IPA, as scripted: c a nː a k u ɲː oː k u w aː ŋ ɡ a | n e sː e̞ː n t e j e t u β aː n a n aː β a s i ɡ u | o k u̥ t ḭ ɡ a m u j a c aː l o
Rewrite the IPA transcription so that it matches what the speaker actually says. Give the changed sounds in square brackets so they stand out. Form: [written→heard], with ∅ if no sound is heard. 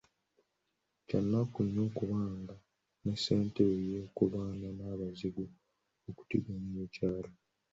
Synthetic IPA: c a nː a k u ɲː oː k u [w→β] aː ŋ ɡ a | n e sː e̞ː n t e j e [t→k] u β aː n a n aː β a [s→z] i ɡ u | o k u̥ t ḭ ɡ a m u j [a→e] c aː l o